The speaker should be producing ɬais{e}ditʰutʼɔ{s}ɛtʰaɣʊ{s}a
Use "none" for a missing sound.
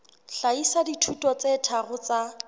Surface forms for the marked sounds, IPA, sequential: a, t͡s, t͡s

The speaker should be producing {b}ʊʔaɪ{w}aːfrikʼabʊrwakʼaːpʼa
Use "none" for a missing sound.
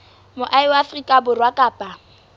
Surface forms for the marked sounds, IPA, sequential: m, w

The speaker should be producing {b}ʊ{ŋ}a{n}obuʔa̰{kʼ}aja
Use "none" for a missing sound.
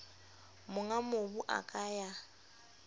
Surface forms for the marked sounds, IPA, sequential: m, ŋ, m, kʼ

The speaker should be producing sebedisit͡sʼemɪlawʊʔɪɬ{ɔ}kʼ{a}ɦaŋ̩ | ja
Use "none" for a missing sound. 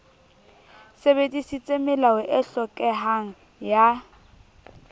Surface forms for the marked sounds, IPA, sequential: ɔ, ɛ

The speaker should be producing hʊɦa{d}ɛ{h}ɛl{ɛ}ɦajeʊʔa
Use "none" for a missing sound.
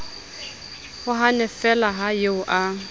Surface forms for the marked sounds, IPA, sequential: n, f, a

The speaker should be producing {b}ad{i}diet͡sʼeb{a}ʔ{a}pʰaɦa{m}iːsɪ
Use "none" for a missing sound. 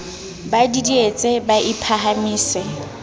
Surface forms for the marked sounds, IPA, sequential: b, i, a, i, m

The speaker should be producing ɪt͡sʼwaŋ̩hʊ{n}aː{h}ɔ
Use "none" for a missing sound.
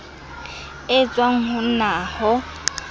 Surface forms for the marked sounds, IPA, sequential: n, h

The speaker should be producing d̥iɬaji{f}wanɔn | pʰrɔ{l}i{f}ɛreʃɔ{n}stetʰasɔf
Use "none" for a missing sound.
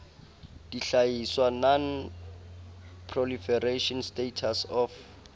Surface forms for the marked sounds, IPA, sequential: s, l, f, n

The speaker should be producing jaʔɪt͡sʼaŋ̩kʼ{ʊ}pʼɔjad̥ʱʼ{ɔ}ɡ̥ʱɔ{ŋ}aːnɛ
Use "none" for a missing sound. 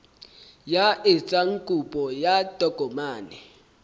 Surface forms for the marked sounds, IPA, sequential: u, ɔ, m

